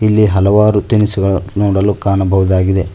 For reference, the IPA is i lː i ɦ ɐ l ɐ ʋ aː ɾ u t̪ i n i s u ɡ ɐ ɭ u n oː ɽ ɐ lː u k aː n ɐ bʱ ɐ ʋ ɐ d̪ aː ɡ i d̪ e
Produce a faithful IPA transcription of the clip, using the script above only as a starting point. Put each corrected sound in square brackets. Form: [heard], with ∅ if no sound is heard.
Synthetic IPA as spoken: i lː i ɦ ɐ l ɐ ʋ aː ɾ u t̪ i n i s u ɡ ɐ ɭ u n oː ɽ ɐ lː u k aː n ɐ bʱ ɐ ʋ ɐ d̪ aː ɡ i d̪ e